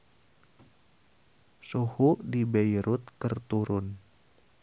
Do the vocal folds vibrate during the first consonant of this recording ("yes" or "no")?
no